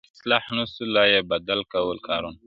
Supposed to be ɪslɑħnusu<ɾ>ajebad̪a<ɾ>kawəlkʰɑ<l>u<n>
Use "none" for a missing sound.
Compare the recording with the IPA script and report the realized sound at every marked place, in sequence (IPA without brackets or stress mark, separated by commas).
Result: l, l, ɾ, n